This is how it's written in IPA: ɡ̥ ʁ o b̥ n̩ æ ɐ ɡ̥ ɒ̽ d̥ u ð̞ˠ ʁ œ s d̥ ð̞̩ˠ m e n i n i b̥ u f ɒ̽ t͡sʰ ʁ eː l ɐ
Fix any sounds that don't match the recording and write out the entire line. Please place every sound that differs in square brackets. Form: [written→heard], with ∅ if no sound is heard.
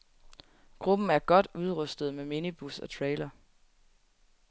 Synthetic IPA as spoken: ɡ̥ ʁ [o→u] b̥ n̩ æ ɐ ɡ̥ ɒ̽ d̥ u ð̞ˠ ʁ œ s d̥ ð̞̩ˠ m e [n→m] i n i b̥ u [f→s] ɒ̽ t͡sʰ ʁ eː l ɐ